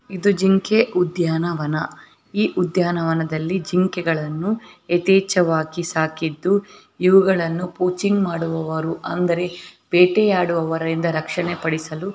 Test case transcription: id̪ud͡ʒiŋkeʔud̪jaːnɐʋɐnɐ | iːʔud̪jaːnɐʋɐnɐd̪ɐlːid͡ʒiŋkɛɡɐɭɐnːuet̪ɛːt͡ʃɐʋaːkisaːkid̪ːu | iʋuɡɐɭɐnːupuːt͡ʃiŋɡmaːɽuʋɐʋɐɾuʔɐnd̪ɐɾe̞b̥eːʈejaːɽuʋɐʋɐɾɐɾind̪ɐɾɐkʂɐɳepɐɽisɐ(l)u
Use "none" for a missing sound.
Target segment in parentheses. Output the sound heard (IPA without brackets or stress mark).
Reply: l